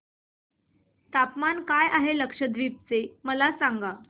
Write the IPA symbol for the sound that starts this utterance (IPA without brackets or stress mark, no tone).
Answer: t̪